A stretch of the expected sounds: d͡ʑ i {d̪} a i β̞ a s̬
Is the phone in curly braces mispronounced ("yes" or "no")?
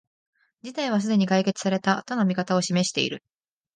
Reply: yes